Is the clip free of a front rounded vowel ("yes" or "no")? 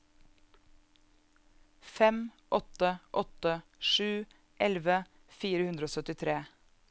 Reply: no